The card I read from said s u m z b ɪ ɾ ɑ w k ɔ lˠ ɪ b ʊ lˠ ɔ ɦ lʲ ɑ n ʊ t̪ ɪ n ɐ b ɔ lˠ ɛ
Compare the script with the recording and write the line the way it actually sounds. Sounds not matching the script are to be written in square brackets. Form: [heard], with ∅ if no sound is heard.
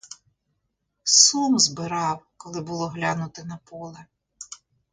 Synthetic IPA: s u m z b ɪ ɾ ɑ w k ɔ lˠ ɪ b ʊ lˠ ɔ ɦ lʲ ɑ n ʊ t̪ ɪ n ɐ [p] ɔ lˠ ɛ